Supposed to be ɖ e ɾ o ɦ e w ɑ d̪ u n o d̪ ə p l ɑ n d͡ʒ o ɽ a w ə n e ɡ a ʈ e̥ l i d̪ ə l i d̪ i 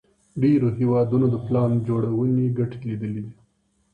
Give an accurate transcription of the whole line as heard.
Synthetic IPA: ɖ e ɾ o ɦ e w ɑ d̪ u n o d̪ ə p l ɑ n d͡ʒ o ɽ a w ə n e ɡ a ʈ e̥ l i d̪ ə l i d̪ i

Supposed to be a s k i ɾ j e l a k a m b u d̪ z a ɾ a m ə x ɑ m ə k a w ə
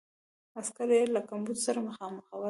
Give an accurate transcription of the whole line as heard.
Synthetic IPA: a s k a ɾ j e l a k a m b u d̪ s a ɾ a m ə x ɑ m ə x a w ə

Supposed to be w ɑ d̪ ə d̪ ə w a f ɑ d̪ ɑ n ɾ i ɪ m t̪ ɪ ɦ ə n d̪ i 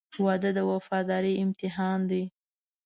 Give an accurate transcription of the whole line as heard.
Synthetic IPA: w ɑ d̪ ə d̪ ə w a f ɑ d̪ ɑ ɾ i ɪ m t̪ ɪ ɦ ɑ n d̪ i

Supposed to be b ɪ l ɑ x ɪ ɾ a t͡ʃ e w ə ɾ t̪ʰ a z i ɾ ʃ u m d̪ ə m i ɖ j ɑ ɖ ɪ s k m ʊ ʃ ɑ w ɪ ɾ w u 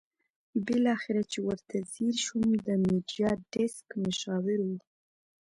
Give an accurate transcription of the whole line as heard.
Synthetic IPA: b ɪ l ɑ x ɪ ɾ a t͡ʃ e w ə ɾ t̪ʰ a z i ɾ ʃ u m d̪ ə m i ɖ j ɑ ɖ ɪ s k m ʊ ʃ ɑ w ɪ ɾ w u

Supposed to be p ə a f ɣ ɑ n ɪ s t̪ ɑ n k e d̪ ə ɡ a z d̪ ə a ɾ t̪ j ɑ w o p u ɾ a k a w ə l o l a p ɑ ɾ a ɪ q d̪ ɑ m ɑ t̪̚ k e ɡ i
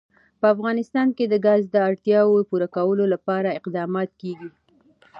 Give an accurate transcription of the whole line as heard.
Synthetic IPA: p ə a f ɣ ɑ n ɪ s t̪ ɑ n k e d̪ ə ɡ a z d̪ ə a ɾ t̪ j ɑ w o p u ɾ a k a w ə l o l a p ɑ ɾ a ɪ q d̪ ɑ m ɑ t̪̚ k e ɡ i

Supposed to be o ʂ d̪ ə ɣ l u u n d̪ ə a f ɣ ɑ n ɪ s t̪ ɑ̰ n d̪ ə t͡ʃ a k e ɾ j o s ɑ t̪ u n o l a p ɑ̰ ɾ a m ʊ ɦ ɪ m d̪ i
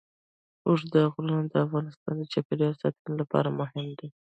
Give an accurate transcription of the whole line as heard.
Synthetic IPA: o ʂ d̪ ə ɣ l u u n d̪ ə a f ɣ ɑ n ɪ s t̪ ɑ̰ n d̪ ə t͡ʃ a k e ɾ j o s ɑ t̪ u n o l a p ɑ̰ ɾ a m ʊ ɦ ɪ m d̪ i

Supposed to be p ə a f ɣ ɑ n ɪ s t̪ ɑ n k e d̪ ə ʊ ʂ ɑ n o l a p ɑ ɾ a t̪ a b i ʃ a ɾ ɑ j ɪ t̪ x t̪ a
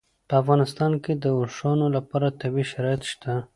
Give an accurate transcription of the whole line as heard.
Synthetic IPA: p ə a f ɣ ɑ n ɪ s t̪ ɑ n k e d̪ ə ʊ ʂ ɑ n o l a p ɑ ɾ a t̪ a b i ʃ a ɾ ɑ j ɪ t̪ ʃ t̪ a

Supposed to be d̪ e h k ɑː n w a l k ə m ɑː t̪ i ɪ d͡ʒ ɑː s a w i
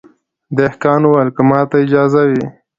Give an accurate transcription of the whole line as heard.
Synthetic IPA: d̪ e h k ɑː n w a l k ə m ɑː t̪ a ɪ d͡ʒ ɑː z a w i

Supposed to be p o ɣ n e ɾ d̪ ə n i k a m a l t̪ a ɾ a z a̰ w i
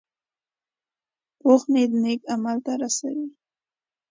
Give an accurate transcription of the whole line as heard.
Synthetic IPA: p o x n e d̪ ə n e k a m a l t̪ a ɾ a s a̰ w i

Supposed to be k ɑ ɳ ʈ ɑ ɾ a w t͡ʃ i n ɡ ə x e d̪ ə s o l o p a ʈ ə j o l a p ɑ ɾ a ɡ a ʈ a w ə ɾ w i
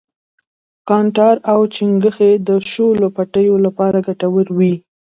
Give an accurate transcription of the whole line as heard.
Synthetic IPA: k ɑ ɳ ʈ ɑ ɾ a w t͡ʃ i ŋ ɡ ə x e d̪ ə ʃ o l o p a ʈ ə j o l a p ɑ ɾ a ɡ a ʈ a w ə ɾ w i

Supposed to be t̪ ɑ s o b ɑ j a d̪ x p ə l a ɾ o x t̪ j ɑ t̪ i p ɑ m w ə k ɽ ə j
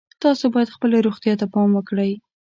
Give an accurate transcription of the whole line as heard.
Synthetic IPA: t̪ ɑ s o b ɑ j a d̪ x p ə l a ɾ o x t̪ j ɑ t̪ a p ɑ m w ə k ɽ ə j

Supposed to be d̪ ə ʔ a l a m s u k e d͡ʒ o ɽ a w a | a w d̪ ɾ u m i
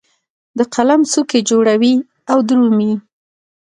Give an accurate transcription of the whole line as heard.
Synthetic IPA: d̪ ə q a l a m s u k e d͡ʒ o ɽ a w i | a w d̪ ɾ u m i

